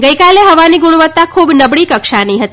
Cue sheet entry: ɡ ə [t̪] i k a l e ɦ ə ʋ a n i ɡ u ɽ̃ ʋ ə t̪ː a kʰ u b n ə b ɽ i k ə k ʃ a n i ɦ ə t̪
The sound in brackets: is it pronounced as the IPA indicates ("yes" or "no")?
no